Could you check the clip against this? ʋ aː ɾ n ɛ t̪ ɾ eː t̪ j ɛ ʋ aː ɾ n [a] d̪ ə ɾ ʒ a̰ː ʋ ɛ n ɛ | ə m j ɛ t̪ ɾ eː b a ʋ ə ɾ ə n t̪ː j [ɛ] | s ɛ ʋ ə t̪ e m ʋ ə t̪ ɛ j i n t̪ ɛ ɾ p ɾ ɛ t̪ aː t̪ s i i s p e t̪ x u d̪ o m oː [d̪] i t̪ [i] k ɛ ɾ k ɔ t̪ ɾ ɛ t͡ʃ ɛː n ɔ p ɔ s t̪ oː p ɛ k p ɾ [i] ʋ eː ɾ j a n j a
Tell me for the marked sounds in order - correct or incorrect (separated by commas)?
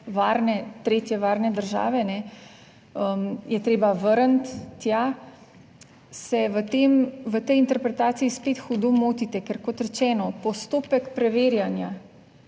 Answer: incorrect, incorrect, incorrect, incorrect, incorrect